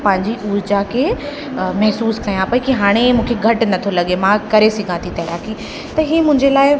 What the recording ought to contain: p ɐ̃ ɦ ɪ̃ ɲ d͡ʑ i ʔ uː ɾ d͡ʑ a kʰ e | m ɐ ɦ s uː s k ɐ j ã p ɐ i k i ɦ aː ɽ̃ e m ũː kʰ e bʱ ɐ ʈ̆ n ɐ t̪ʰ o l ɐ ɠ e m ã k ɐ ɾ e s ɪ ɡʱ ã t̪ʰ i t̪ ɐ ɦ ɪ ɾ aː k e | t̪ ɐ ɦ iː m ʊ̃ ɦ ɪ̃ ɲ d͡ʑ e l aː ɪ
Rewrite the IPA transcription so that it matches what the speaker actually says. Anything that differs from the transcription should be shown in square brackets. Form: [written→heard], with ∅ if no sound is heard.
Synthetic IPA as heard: p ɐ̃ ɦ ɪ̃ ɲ d͡ʑ i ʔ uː ɾ d͡ʑ a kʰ e | m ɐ ɦ s uː s k ɐ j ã p ɐ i k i ɦ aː ɽ̃ e m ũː kʰ e [bʱ→ɡʱ] ɐ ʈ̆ n ɐ t̪ʰ o l ɐ ɠ e m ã k ɐ ɾ e s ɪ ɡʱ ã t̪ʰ i t̪ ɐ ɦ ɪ ɾ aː k [e→i] | t̪ ɐ ɦ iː m ʊ̃ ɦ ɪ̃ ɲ d͡ʑ e l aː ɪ

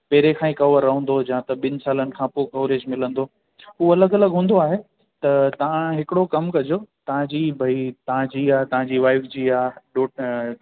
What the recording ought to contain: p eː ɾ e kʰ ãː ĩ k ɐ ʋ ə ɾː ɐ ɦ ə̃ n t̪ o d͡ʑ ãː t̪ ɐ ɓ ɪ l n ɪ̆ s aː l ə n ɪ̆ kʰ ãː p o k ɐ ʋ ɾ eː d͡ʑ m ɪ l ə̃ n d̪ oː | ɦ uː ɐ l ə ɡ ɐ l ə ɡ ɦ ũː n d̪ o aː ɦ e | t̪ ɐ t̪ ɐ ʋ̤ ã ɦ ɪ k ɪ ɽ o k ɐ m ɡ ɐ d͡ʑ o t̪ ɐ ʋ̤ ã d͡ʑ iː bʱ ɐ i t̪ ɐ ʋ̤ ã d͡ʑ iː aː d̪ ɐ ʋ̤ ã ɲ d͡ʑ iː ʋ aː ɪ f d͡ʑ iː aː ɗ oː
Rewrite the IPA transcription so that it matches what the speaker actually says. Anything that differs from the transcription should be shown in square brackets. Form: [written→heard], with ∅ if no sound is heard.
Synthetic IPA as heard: p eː ɾ e kʰ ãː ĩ k ɐ ʋ ə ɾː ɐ ɦ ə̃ n [t̪→d̪] o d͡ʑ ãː t̪ ɐ ɓ ɪ [l→∅] n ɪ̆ s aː l ə n ɪ̆ kʰ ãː p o k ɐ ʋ ɾ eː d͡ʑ m ɪ l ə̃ n d̪ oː | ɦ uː ɐ l ə ɡ ɐ l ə ɡ ɦ ũː n d̪ o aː ɦ e | t̪ ɐ t̪ ɐ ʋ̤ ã ɦ ɪ k ɪ ɽ o k ɐ m [ɡ→k] ɐ d͡ʑ o t̪ ɐ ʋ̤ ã d͡ʑ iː bʱ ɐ i t̪ ɐ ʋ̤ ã d͡ʑ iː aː [d̪→t̪] ɐ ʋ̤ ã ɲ d͡ʑ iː ʋ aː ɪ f d͡ʑ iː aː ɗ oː

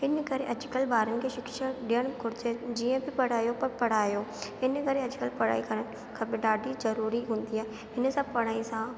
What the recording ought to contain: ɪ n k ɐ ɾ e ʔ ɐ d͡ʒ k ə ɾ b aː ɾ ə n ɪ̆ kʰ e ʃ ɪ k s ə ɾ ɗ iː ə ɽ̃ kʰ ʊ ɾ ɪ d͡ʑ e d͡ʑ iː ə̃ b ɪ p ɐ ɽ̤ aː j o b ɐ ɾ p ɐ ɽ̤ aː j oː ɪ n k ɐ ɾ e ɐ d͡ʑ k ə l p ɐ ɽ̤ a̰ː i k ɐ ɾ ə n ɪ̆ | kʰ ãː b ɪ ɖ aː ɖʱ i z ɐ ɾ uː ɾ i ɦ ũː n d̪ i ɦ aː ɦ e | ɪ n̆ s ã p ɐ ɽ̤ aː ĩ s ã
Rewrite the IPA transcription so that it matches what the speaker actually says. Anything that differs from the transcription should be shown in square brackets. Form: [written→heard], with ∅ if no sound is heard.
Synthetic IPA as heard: ɪ n k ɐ ɾ e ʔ ɐ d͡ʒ k ə [ɾ→l] b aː ɾ ə n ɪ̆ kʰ e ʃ ɪ k [s→ʃ] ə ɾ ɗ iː ə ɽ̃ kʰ ʊ ɾ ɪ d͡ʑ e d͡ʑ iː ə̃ b ɪ p ɐ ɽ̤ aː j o [b→p] ɐ ɾ p ɐ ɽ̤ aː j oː ɪ n k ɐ ɾ e ɐ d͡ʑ k ə l p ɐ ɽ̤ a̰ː i k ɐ ɾ ə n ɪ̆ | kʰ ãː b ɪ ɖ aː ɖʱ i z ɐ ɾ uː ɾ i ɦ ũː n d̪ i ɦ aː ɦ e | ɪ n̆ s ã p ɐ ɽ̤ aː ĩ s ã

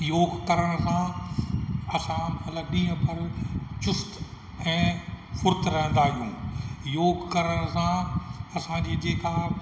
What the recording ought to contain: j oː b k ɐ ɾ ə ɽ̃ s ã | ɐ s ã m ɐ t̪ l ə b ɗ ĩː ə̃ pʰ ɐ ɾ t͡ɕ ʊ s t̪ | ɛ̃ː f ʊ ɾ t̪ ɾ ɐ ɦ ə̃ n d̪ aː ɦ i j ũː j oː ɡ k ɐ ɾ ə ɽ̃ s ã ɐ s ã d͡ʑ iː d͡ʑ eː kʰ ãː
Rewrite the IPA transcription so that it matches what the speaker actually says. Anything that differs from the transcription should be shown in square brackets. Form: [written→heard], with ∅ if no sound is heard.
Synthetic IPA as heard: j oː [b→ɡ] k ɐ ɾ ə ɽ̃ s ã | ɐ s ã m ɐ t̪ l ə b ɗ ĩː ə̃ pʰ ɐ ɾ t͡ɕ ʊ s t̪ | ɛ̃ː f ʊ ɾ t̪ ɾ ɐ ɦ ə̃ n d̪ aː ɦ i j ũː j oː ɡ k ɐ ɾ ə ɽ̃ s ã ɐ s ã d͡ʑ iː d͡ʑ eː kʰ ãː

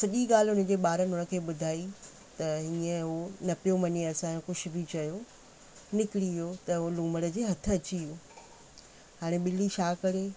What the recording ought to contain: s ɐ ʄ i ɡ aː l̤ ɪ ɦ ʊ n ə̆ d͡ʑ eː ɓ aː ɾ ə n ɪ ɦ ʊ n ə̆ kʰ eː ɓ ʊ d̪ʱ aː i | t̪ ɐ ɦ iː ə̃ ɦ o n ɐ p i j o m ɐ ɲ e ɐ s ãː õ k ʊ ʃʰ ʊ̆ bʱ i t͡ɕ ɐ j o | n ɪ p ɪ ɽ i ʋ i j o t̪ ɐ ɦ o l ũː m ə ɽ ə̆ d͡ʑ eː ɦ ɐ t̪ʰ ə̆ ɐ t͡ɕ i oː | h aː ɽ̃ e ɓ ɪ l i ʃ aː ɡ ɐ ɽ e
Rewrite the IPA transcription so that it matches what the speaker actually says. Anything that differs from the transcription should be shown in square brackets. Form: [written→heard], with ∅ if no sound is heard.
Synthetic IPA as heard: s ɐ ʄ i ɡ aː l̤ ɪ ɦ ʊ n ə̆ d͡ʑ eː ɓ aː ɾ ə n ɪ ɦ ʊ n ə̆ kʰ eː ɓ ʊ d̪ʱ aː i | t̪ ɐ ɦ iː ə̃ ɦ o n ɐ p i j o m ɐ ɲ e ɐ s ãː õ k ʊ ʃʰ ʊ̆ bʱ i t͡ɕ ɐ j o | n ɪ [p→k] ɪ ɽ i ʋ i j o t̪ ɐ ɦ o l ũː m ə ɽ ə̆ d͡ʑ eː ɦ ɐ t̪ʰ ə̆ ɐ t͡ɕ i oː | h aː ɽ̃ e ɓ ɪ l i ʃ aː [ɡ→k] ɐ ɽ e

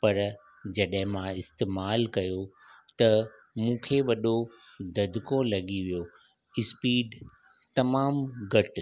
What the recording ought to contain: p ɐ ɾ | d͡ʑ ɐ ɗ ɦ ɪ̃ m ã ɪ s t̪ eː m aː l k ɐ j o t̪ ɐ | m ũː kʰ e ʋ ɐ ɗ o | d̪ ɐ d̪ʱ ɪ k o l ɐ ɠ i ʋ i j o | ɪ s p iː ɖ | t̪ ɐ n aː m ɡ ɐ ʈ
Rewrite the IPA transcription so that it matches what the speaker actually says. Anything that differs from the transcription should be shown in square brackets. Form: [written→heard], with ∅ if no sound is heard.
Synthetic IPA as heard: p ɐ ɾ | d͡ʑ ɐ ɗ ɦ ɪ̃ m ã ɪ s t̪ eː m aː l k ɐ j o t̪ ɐ | m ũː kʰ e ʋ ɐ ɗ o | d̪ ɐ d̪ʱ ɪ k o l ɐ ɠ i ʋ i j o | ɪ s p iː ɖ | t̪ ɐ [n→m] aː m ɡ ɐ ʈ

